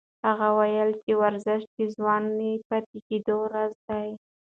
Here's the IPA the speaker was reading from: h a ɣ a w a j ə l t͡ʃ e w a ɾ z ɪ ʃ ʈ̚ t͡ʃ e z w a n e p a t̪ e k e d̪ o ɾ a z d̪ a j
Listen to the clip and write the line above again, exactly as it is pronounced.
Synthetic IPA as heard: h a ɣ a w a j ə l t͡ʃ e w a ɾ z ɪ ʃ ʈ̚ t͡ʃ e z w ɑ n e p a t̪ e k e d̪ o ɾ a z d̪ a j

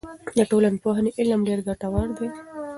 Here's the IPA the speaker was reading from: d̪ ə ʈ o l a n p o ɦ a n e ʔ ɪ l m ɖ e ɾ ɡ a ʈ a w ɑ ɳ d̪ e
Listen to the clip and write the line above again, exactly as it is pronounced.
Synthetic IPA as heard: d̪ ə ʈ o l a n p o ɦ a n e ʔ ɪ l m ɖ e ɾ ɡ a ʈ a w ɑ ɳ d̪ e

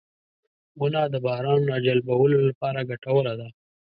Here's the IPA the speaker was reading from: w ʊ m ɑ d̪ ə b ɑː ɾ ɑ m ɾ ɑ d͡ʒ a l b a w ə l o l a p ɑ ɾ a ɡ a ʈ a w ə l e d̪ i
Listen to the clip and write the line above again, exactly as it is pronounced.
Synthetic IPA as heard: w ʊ n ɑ d̪ ə b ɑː ɾ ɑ n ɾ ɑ d͡ʒ a l b a w ə l o l a p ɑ ɾ a ɡ a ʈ a w ə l a d̪ a

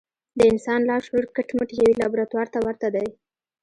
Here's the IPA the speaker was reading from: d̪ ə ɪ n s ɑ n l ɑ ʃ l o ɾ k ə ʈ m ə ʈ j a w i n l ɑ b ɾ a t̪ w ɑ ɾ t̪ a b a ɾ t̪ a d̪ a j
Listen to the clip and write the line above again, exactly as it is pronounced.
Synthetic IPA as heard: d̪ ə ɪ n s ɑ n l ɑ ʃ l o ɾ k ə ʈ m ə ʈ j a w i l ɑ b ɾ a t̪ w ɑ ɾ t̪ a w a ɾ t̪ a d̪ a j

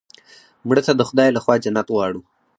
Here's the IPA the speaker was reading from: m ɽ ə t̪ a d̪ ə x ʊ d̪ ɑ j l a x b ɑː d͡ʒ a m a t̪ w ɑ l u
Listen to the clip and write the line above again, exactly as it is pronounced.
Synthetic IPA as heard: m ɽ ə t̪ a d̪ ə x ʊ d̪ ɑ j l a x w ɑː d͡ʒ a n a t̪ w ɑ ɽ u

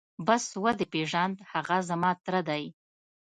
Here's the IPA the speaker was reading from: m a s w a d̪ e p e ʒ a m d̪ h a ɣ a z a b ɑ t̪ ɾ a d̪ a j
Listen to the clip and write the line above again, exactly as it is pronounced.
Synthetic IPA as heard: b a s w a d̪ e p e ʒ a n d̪ h a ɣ a z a m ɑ t̪ ɾ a d̪ a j

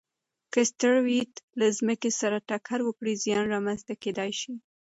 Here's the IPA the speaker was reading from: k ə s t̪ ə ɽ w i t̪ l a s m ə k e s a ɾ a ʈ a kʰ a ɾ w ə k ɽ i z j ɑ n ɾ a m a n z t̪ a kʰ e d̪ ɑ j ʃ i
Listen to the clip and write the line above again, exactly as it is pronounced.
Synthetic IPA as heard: k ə s t̪ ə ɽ w i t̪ l a z m ə k e s a ɾ a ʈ a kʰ a ɾ w ə k ɽ i z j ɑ n ɾ ɑ m a n z t̪ a k e d̪ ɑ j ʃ i

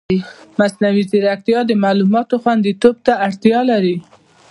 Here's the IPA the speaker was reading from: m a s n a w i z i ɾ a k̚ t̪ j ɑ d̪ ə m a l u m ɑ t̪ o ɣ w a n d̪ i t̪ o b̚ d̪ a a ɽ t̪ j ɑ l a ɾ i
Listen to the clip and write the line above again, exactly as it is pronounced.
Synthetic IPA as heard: m a s n a w i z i ɾ a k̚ t̪ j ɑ d̪ ə m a l u m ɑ t̪ o x w a n d̪ i t̪ o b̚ t̪ a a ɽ t̪ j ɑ l a ɾ i

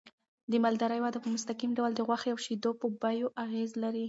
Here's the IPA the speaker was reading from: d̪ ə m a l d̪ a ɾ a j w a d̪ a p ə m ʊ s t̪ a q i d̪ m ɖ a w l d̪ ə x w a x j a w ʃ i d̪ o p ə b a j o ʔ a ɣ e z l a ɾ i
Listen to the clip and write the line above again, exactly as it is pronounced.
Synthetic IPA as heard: d̪ ə m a l d̪ a ɾ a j w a d̪ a p ə m ʊ s t̪ a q i m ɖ a w l d̪ ə ɣ w a x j a w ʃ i d̪ o p ə b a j o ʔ a ɣ e z l a ɾ i

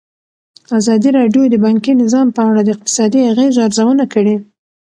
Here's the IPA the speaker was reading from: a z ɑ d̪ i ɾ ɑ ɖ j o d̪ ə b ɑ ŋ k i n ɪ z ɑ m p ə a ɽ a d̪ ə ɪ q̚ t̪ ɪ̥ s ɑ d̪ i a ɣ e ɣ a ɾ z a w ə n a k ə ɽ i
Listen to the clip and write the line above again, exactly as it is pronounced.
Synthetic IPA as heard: a z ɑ d̪ i ɾ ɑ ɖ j o d̪ ə b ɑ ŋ k i n ɪ z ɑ m p ə a ɽ a d̪ ə ɪ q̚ t̪ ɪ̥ s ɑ d̪ i a ɣ e z a ɾ z a w ə n a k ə ɽ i

